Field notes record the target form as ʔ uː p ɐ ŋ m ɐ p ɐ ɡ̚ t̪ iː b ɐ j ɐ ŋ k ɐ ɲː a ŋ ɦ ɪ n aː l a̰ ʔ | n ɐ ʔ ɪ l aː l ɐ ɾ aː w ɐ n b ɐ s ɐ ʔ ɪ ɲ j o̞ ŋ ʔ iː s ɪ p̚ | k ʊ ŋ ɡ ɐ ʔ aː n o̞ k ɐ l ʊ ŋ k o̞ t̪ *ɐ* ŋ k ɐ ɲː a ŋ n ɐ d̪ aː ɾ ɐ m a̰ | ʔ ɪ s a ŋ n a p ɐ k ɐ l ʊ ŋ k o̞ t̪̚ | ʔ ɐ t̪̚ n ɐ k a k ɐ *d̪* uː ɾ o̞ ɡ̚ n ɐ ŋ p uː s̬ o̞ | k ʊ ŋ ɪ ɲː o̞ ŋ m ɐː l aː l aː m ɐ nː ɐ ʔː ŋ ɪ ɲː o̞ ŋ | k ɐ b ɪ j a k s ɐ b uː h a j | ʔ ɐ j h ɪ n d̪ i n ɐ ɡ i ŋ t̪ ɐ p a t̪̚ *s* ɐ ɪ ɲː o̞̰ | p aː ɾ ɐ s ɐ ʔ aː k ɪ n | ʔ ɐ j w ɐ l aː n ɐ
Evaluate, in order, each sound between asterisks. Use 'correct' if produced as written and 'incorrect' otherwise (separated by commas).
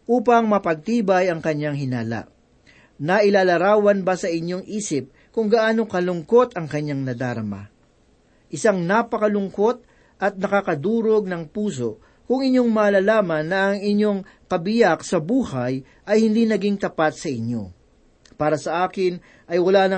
correct, correct, correct